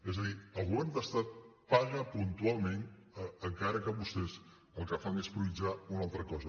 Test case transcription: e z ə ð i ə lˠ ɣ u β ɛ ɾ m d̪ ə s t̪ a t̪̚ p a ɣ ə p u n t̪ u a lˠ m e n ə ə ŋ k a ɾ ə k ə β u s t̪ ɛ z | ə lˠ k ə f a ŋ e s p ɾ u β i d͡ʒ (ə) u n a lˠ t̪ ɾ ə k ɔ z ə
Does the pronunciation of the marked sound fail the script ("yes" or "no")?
yes